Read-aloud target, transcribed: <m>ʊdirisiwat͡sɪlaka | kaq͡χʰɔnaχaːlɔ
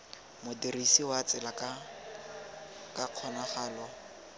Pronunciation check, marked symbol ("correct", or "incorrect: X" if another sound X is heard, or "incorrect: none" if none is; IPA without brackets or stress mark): correct